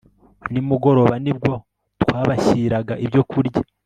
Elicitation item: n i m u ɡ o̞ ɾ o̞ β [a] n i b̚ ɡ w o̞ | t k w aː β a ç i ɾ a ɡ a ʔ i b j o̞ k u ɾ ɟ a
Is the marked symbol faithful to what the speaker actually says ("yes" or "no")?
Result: yes